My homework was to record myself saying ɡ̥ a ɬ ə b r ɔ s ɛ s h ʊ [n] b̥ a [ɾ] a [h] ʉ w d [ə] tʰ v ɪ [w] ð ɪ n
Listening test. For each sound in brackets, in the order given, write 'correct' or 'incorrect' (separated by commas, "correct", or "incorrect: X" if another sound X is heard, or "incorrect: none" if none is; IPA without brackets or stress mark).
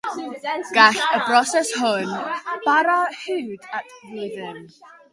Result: correct, correct, correct, incorrect: a, incorrect: none